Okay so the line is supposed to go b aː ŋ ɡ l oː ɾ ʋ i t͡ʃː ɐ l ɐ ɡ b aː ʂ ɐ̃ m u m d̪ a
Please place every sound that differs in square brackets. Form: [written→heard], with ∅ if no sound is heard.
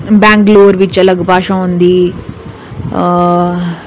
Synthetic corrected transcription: b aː ŋ ɡ l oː ɾ ʋ i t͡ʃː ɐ l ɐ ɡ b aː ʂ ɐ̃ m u [m→n] d̪ [a→i]